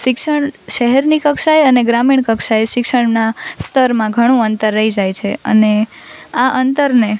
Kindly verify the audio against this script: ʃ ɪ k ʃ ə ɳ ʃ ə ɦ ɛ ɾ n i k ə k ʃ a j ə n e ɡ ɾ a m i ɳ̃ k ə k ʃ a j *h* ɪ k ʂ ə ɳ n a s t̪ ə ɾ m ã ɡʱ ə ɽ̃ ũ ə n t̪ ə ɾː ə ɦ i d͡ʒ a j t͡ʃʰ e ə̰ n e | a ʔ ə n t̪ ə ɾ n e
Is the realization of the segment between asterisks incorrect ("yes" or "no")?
yes